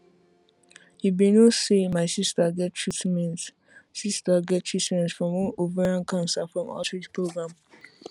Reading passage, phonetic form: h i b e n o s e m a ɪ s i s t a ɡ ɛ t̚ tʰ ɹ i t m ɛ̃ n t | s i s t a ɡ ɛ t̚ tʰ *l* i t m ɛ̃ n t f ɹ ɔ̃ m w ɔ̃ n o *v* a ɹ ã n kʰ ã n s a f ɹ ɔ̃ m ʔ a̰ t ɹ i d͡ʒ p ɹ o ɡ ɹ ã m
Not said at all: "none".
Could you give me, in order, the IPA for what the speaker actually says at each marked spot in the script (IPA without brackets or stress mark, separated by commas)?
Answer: ɹ, v